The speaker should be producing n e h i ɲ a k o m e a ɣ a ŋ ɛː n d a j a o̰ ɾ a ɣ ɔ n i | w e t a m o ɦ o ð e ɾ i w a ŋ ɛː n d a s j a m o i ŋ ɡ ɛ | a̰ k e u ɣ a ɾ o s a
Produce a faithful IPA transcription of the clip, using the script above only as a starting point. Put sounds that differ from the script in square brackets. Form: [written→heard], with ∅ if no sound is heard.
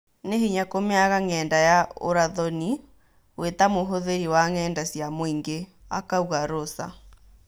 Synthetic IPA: n e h i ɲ a k o m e a ɣ a ŋ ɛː n d a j a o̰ ɾ a [ɣ→ð] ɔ n i | w e t a m o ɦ o ð e ɾ i w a ŋ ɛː n d a s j a m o i ŋ ɡ [ɛ→e] | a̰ k [e→a] u ɣ a ɾ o s a

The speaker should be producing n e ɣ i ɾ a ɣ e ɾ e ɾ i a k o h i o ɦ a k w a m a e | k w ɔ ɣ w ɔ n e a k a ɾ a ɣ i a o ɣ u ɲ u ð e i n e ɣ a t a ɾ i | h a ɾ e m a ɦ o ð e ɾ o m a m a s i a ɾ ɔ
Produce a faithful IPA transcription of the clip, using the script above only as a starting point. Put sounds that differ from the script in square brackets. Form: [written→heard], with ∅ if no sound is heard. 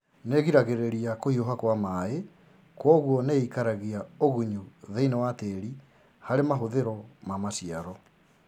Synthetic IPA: n e ɣ i ɾ a ɣ e ɾ e ɾ i a k o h i o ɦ a k w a m a e | k w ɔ ɣ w ɔ n e [a→i] k a ɾ a ɣ i a o ɣ u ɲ u ð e i n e [ɣ→w] a t [a→e] ɾ i | h a ɾ e m a ɦ o ð e ɾ [o→ɔ] m a m a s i a ɾ ɔ

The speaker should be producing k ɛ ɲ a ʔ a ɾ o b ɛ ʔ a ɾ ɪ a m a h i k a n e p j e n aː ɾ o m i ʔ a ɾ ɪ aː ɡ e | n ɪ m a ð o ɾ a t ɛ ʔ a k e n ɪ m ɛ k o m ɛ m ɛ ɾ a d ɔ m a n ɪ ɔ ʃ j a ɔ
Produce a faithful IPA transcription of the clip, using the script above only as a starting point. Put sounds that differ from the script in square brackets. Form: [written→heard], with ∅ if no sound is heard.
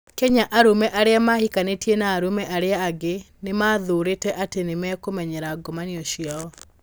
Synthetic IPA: k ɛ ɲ a ʔ a ɾ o [b→m] ɛ ʔ a ɾ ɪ a m a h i k a n e [p→t] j e n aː ɾ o m [i→ɛ] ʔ a ɾ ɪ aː ɡ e | n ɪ m a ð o ɾ [a→e] t ɛ ʔ a [k→t] e n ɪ m ɛ k o m ɛ [m→ɲ] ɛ ɾ a [d→ɡ] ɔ m a n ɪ ɔ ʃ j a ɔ

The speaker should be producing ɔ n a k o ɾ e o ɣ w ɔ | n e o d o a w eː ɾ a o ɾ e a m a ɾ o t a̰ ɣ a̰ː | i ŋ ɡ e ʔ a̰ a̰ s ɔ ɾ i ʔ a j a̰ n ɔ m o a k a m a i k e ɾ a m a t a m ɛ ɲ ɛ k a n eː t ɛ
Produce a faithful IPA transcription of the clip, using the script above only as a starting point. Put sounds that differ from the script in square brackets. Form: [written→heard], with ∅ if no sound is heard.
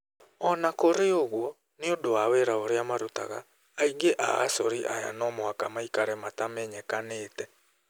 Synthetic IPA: ɔ n a k o ɾ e o ɣ w ɔ | n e o d o a w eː ɾ a o ɾ e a m a ɾ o t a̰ ɣ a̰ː | i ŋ ɡ e ʔ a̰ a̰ s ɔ ɾ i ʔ a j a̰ n ɔ m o a k a m a i k [e→a] ɾ [a→ɛ] m a t a m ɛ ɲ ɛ k a n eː t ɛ

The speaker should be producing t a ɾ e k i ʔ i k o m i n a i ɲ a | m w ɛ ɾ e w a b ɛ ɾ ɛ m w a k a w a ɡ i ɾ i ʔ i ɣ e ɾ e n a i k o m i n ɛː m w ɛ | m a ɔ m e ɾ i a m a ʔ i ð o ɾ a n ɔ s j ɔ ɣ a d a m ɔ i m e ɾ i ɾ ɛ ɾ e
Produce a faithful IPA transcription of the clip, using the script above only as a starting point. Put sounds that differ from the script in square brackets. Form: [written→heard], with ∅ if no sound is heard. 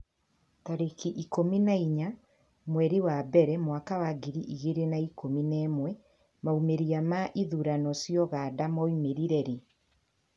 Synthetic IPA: t a ɾ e k i ʔ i k o m i n a i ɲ a | m w ɛ ɾ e w a b ɛ ɾ ɛ m w a k a w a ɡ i ɾ i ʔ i ɣ e ɾ e n a i k o m i n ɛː m w ɛ | m a [ɔ→u] m e ɾ i a m a ʔ i ð [o→u] ɾ a n ɔ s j ɔ ɣ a d a m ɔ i m e ɾ i ɾ ɛ ɾ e

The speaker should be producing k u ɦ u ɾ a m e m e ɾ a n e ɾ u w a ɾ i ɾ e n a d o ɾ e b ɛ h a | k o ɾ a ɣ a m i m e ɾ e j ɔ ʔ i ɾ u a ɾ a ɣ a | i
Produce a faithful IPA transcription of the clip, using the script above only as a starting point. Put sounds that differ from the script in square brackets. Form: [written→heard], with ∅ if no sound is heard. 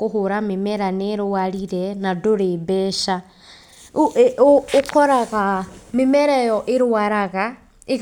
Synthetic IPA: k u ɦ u ɾ a m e m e ɾ a n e ɾ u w a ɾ i ɾ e n a d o ɾ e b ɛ [h→ʃ] a | k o ɾ a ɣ a m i m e ɾ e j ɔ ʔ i ɾ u a ɾ a ɣ a | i

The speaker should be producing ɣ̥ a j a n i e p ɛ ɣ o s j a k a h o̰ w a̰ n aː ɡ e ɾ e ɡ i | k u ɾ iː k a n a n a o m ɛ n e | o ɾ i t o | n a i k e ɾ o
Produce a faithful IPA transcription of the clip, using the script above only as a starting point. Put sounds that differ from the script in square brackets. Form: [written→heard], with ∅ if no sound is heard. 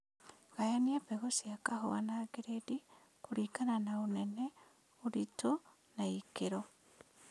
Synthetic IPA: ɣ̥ a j a n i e p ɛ ɣ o s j a k a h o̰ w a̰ n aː ɡ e ɾ e [ɡ→d] i | k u ɾ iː k a n a n a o [m→n] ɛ n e | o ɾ i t o | n a i k e ɾ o

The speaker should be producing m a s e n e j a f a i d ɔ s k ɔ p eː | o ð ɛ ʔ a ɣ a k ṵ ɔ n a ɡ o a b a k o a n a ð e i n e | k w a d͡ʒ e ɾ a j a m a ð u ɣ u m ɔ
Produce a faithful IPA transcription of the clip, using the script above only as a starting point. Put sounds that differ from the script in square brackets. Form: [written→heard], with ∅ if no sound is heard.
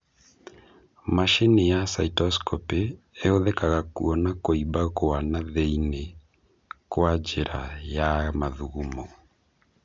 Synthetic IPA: m a [s→ʃ] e n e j a [f→s] a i [d→t] ɔ s k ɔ p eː | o ð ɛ [ʔ→k] a ɣ a k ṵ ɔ n a [ɡ→k] o [a→i] b a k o a n a ð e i n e | k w a d͡ʒ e ɾ a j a m a ð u ɣ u m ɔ

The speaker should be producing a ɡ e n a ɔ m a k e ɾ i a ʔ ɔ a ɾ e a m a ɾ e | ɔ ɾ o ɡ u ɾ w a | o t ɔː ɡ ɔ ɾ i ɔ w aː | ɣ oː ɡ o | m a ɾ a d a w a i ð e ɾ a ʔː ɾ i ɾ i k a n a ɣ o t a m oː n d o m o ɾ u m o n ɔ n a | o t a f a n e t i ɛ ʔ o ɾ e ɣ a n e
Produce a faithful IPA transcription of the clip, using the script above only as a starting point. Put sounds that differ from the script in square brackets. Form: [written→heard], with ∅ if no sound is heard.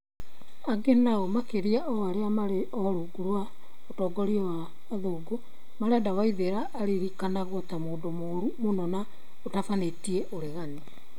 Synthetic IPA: a ɡ e n a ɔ m a k e ɾ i a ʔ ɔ a ɾ e a m a ɾ e | ɔ ɾ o ɡ u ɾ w a | o t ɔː ɡ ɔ ɾ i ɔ w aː | [ɣ→ð] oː ɡ o | m a ɾ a d a w a i ð e ɾ a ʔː ɾ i ɾ i k a n a ɣ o t a m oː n d o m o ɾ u m o n ɔ n a | o t a f a n e t i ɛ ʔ o ɾ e ɣ a n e

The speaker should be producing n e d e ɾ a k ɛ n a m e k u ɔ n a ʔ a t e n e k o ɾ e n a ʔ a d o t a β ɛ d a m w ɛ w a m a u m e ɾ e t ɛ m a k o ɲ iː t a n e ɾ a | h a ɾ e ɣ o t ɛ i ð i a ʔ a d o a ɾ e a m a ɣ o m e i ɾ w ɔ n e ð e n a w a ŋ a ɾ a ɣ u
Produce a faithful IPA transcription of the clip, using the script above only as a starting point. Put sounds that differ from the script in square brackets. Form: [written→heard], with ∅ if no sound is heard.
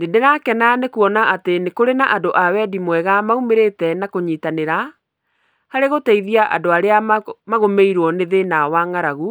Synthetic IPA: n e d e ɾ a k ɛ n a [m→n] e k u ɔ n a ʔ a t e n e k o ɾ e n a ʔ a d o [t→ʔ] a [β→w] ɛ d [a→i] m w ɛ [w→ɣ] a m a u m e ɾ e t ɛ [m→n] a k o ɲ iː t a n e ɾ a | h a ɾ e ɣ o t ɛ i ð i a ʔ a d o a ɾ e a m a ɣ o m e i ɾ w ɔ n e ð e n a w a ŋ a ɾ a ɣ u

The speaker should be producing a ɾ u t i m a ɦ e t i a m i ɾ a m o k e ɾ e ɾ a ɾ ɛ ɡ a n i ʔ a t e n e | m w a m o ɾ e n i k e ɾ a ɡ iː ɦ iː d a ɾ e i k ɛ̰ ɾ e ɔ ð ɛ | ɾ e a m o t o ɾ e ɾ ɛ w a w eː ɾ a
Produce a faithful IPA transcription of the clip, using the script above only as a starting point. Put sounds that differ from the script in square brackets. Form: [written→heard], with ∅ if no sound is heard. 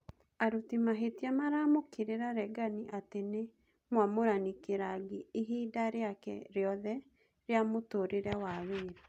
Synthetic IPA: a ɾ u t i m a ɦ e t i a m [i→a] ɾ a m o k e ɾ e ɾ a ɾ ɛ ɡ a n i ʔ a t e n e | m w a m o ɾ [e→a] n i k e ɾ a ɡ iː ɦ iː d a ɾ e [i→a] k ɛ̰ ɾ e ɔ ð ɛ | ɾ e a m o t o ɾ e ɾ ɛ w a w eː ɾ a

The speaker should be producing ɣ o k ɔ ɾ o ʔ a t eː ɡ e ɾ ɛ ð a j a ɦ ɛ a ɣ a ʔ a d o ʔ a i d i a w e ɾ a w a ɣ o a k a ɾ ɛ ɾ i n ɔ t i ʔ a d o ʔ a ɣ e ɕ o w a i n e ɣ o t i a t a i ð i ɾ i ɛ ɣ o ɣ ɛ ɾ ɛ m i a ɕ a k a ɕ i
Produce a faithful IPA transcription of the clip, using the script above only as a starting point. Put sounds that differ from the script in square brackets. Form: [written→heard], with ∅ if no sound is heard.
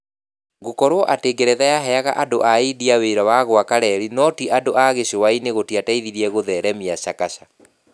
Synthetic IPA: ɣ o k ɔ ɾ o ʔ a t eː ɡ e ɾ ɛ ð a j a ɦ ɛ a ɣ a ʔ a d o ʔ a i d i a w e ɾ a w a ɣ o a k a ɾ ɛ ɾ i n ɔ t i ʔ a d o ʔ a ɣ e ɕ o w a i n e ɣ o t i a t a i ð i ɾ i ɛ ɣ o [ɣ→ð] ɛ ɾ ɛ m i a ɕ a k a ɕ [i→a]

